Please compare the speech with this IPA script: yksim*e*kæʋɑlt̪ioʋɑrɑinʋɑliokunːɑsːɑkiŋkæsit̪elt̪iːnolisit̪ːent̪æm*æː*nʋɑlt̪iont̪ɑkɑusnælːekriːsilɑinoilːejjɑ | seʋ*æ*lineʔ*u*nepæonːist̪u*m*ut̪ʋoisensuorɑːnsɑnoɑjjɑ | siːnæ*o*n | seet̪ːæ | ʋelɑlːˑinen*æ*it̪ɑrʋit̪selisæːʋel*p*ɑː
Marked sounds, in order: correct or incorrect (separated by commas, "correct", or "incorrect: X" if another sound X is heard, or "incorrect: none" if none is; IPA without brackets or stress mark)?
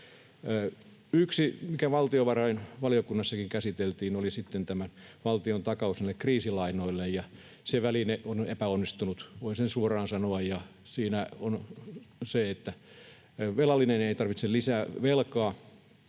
incorrect: i, incorrect: æ, correct, incorrect: o, incorrect: n, correct, incorrect: e, incorrect: k